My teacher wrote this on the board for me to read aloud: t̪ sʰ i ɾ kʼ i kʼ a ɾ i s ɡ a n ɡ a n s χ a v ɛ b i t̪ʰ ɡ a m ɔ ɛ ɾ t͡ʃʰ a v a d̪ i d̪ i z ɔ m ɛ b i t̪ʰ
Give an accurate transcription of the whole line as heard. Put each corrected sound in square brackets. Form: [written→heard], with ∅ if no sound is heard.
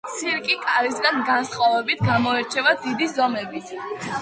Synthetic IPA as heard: t̪ sʰ i ɾ kʼ i kʼ a ɾ i s ɡ a n ɡ a n s χ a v ɛ b i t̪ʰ ɡ a m ɔ ɛ ɾ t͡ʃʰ [a→ɛ] v a d̪ i d̪ i z ɔ m ɛ b i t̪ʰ